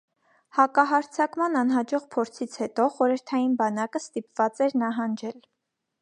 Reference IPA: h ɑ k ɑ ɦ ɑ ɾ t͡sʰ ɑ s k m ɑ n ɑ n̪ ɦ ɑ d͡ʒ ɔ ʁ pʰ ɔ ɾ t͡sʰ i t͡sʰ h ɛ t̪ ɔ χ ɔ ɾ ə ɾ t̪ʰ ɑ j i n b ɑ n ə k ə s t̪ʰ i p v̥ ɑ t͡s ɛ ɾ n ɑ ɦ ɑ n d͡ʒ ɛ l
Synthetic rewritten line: h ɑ k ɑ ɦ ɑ ɾ t͡sʰ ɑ k m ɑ n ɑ n̪ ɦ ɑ d͡ʒ ɔ ʁ pʰ ɔ ɾ t͡sʰ i t͡sʰ h ɛ t̪ ɔ χ ɔ ɾ ə ɾ t̪ʰ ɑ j i n b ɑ n ɑ k ə s t̪ i p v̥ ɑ t͡s ɛ ɾ n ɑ ɦ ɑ n d͡ʒ ɛ l